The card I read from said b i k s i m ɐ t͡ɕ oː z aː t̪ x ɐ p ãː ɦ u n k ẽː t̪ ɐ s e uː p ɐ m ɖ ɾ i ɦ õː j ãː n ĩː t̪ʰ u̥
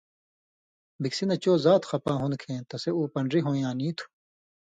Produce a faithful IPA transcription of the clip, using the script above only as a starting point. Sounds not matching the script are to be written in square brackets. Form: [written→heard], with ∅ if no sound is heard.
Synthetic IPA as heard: b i k s i [m→n] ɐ t͡ɕ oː z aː t̪ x ɐ p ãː ɦ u n [k→kʰ] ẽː t̪ ɐ s e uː p ɐ [m→ɳ] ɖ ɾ i ɦ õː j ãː n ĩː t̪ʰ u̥